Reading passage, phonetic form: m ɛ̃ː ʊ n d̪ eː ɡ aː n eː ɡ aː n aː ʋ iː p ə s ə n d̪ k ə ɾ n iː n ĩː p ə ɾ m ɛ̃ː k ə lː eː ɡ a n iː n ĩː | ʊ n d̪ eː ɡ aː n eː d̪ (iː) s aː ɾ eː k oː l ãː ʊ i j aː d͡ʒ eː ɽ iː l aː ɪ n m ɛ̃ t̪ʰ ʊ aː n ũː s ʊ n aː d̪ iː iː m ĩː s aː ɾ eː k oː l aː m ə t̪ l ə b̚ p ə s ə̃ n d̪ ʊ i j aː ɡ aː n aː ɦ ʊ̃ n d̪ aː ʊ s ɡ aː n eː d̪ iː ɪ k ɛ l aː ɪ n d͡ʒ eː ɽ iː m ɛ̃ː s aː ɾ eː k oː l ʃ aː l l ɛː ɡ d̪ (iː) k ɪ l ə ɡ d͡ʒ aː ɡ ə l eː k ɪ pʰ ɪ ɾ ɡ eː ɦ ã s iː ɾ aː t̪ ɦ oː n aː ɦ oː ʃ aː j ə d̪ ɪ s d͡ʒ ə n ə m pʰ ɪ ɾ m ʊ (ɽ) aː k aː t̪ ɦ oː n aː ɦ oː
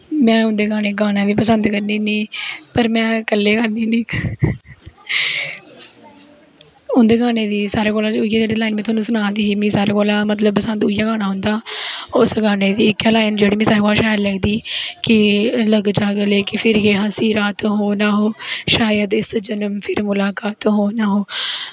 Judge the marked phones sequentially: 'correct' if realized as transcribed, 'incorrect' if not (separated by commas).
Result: correct, correct, incorrect